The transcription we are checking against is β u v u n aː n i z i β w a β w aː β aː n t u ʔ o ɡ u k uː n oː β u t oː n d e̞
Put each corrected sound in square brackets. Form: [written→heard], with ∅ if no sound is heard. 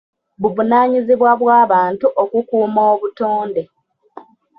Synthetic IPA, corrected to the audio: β u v u n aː [n→ɲ] i z i β w a β w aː β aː n t u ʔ o [ɡ→k] u k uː [n→m] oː β u t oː n d e̞